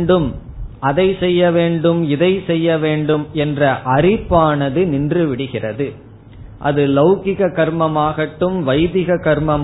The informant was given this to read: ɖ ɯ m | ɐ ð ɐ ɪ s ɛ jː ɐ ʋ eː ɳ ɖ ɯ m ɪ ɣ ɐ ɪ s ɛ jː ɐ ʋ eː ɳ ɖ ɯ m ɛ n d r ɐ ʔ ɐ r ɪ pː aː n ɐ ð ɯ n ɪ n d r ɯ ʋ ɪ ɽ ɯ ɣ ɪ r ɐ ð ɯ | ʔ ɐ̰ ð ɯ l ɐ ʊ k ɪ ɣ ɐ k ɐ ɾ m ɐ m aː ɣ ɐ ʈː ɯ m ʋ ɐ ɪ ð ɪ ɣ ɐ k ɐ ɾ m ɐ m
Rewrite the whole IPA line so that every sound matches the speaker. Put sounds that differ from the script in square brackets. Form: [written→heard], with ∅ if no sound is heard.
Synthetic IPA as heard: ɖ ɯ m | ɐ ð ɐ ɪ s ɛ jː ɐ ʋ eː ɳ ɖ ɯ m ɪ [ɣ→ð] ɐ ɪ s ɛ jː ɐ ʋ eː ɳ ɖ ɯ m ɛ n d r ɐ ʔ ɐ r ɪ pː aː n ɐ ð ɯ n ɪ n d r ɯ ʋ ɪ ɽ ɯ ɣ ɪ r ɐ ð ɯ | ʔ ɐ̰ ð ɯ l ɐ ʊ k ɪ ɣ ɐ k ɐ ɾ m ɐ m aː ɣ ɐ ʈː ɯ m ʋ ɐ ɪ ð ɪ ɣ ɐ k ɐ ɾ m ɐ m